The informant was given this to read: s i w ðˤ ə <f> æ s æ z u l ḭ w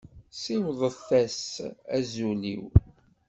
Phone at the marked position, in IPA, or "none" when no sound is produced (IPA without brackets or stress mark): θ